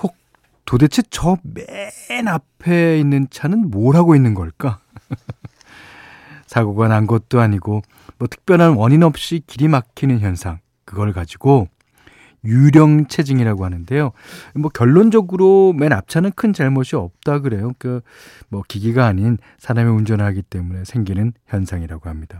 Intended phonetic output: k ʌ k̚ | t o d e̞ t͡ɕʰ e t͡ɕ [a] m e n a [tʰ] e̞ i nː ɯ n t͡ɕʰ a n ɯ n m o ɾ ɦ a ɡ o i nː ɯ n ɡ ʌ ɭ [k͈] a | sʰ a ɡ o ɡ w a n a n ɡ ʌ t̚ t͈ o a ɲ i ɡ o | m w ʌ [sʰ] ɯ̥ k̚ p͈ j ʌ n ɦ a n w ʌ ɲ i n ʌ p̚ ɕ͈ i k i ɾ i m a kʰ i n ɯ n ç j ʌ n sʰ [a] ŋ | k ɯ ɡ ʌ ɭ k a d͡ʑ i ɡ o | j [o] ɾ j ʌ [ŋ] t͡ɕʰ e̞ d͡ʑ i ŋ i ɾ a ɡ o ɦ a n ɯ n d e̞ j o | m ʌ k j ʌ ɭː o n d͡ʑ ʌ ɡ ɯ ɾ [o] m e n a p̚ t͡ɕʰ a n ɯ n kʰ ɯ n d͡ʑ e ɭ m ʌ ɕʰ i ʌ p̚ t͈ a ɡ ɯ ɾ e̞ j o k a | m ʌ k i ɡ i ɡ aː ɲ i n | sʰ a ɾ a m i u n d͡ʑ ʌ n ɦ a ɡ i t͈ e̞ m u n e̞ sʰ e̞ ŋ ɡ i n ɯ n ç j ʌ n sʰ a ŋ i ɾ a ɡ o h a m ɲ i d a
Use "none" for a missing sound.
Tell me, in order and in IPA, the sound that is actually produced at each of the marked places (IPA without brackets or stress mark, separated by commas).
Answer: ʌ, pʰ, k͈, tʰ, a, u, ŋ, o